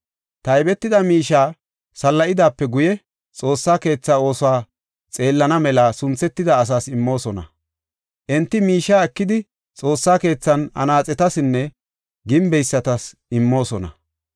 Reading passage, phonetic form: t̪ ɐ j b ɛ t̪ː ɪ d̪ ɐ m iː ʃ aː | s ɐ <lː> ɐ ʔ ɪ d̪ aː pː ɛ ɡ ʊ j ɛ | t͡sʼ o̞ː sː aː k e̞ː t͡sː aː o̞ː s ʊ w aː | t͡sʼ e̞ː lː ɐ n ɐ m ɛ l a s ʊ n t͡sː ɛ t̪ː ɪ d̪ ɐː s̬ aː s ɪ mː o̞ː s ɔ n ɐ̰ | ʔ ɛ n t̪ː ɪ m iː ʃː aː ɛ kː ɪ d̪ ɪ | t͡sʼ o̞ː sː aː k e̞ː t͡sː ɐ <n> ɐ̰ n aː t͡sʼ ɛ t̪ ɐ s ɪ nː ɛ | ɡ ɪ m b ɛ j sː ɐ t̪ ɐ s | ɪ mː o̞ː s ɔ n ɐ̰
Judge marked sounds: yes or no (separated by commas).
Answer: yes, yes